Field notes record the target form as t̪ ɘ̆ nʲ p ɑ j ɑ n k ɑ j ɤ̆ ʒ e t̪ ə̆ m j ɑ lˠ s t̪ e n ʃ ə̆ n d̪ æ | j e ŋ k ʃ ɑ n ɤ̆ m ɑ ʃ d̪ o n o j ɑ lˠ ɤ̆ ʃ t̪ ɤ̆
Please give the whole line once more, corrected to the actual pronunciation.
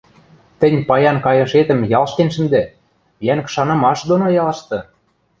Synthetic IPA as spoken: t̪ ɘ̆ nʲ p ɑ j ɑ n k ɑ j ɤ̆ ʃ e t̪ ə̆ m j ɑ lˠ ʃ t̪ e n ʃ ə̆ n d̪ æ | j æ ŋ k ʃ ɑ n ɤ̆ m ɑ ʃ d̪ o n o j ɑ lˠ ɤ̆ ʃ t̪ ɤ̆

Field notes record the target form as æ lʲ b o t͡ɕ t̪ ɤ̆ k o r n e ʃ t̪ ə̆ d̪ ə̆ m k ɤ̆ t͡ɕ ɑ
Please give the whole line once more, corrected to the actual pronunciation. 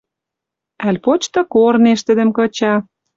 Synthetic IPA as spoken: æ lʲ p o t͡ɕ t̪ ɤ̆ k o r n e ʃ t̪ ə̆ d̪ ə̆ m k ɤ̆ t͡ɕ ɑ

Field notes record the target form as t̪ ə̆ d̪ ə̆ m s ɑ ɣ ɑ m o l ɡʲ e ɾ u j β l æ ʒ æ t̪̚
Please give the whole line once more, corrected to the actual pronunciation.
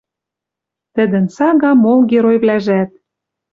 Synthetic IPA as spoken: t̪ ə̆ d̪ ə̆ n s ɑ ɣ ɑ m o l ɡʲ e ɾ o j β l æ ʒ æ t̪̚

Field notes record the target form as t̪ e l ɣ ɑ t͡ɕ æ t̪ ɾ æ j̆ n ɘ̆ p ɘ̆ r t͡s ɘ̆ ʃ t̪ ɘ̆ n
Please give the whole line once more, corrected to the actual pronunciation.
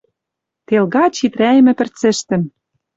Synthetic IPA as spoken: t̪ e l ɣ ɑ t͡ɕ i t̪ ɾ æ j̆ m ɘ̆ p ɘ̆ r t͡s ɘ̆ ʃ t̪ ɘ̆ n

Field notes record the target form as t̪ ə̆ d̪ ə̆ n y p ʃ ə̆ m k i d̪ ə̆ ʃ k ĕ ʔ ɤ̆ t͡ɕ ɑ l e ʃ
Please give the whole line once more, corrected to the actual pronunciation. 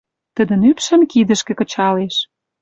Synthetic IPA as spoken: t̪ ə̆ d̪ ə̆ n y p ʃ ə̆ m k i d̪ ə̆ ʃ k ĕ k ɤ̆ t͡ɕ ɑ l e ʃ

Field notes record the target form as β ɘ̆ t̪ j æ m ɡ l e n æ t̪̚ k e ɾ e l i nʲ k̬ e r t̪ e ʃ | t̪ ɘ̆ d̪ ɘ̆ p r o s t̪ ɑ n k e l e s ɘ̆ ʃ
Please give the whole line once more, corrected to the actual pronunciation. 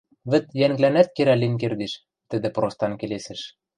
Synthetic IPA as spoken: β ɘ̆ t̪ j æ ŋ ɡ l æ n æ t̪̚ k e ɾ æ l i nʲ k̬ e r d̪ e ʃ | t̪ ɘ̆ d̪ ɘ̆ p r o s t̪ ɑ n k e l e s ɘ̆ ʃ

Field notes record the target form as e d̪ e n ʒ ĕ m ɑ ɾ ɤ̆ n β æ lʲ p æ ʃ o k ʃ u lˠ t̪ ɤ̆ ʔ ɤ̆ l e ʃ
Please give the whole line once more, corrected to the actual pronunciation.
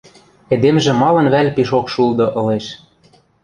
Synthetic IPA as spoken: e d̪ e m ʒ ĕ m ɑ l ɤ̆ n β æ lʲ p i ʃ o k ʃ u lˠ d̪ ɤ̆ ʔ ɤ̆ l e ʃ

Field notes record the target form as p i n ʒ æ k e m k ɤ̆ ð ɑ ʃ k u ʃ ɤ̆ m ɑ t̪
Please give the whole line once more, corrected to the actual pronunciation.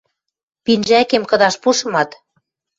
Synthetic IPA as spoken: p i n ʒ æ k e m k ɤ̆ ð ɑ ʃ p u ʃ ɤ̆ m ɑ t̪

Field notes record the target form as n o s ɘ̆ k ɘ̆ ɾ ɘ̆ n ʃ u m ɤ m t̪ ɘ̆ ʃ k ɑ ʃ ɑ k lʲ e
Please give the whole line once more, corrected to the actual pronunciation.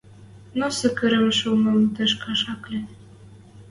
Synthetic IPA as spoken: n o s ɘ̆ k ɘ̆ ɾ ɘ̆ m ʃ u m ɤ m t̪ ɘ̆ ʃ k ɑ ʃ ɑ k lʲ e

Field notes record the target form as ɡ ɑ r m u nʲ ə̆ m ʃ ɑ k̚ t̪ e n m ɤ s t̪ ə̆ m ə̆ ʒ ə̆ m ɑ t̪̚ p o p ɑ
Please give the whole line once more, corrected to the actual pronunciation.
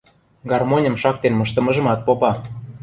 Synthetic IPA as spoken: ɡ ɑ r m o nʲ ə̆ m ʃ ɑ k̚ t̪ e n m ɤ ʃ t̪ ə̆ m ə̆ ʒ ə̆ m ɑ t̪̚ p o p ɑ

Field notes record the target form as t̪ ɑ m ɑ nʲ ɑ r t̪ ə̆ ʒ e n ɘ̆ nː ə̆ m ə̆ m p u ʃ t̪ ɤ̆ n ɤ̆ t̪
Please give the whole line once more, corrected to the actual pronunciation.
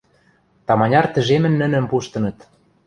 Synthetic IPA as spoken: t̪ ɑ m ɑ nʲ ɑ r t̪ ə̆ ʒ e m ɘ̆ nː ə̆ n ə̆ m p u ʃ t̪ ɤ̆ n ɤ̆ t̪

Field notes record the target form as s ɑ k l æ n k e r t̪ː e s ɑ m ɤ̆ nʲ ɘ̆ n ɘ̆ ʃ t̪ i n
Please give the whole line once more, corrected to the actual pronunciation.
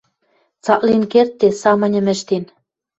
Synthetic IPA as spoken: t͡s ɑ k l i n k e r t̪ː e s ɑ m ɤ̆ nʲ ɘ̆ m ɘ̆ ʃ t̪ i n

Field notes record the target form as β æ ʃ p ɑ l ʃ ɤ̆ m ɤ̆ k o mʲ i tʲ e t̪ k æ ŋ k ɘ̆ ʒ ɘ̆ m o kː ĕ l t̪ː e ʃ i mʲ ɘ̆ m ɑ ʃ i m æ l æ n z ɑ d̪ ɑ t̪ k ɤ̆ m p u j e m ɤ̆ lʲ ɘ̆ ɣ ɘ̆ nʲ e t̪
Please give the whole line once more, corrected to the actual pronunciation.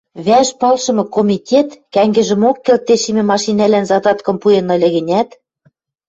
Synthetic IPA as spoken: β æ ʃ p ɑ l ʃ ɤ̆ m ɤ̆ k o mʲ i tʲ e t̪ k æ ŋ ɡ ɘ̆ ʒ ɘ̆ m o kː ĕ l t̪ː e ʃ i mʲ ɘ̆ m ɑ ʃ i n æ l æ n z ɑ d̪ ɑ t̪ k ɤ̆ m p u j e n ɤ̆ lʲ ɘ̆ ɣ ɘ̆ nʲ æ t̪

